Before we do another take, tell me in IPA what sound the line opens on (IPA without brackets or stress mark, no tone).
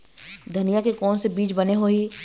d̪ʱ